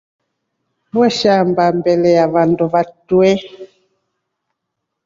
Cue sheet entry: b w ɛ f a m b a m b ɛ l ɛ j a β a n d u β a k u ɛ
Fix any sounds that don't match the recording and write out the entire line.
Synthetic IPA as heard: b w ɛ ʃ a m b a m b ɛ l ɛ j a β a n d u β a t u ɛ